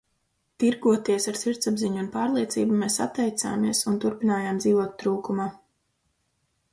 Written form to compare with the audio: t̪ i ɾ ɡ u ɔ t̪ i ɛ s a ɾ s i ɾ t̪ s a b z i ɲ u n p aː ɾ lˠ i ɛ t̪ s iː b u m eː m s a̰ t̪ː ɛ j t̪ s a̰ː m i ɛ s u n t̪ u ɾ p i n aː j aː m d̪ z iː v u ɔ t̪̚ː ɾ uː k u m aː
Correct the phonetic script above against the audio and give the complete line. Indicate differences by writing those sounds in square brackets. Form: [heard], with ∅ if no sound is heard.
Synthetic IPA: t̪ i ɾ ɡ u ɔ t̪ i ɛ s a ɾ s i ɾ t̪ s a b z i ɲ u n p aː ɾ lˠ i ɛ t̪ s iː b u m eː [∅] s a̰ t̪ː ɛ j t̪ s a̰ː m i ɛ s u n t̪ u ɾ p i n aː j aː m d̪ z iː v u ɔ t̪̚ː ɾ uː k u m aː